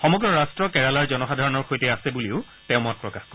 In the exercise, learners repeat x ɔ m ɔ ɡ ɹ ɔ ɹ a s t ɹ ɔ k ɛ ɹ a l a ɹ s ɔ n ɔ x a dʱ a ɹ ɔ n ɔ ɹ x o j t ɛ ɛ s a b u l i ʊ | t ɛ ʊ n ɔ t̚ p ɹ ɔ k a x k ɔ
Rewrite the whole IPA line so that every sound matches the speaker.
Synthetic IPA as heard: x ɔ m ɔ ɡ ɹ ɔ ɹ a s t ɹ ɔ k ɛ ɹ a l a ɹ z ɔ n ɔ x a dʱ a ɹ ɔ n ɔ ɹ x o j t ɛ a s ɛ b u l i ʊ | t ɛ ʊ m ɔ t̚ p ɹ ɔ k a x k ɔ